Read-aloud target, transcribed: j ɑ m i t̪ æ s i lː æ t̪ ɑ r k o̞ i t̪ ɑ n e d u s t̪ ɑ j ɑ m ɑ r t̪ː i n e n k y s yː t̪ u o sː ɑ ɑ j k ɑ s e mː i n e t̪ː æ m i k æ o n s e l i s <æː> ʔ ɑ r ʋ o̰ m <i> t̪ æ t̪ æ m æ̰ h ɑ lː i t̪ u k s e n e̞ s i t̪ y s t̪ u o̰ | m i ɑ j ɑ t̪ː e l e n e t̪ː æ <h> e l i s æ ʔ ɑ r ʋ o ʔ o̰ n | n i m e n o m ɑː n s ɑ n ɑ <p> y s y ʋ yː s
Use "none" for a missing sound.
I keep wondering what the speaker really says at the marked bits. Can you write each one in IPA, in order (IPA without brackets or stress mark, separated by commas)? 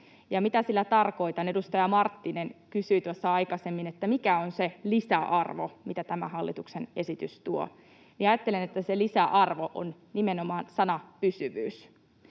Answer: æ, i, s, p